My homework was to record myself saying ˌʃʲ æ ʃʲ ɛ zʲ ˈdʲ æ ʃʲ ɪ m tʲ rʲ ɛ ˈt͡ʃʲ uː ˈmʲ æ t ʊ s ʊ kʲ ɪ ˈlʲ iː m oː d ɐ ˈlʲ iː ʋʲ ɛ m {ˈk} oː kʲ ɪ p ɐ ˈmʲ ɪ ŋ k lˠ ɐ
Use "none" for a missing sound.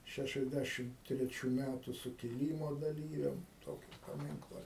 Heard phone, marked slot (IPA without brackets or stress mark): t